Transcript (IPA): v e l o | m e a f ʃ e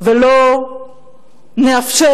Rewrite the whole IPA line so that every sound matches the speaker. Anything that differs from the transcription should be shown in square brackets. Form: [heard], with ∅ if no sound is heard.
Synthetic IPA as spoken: v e l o | [n] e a f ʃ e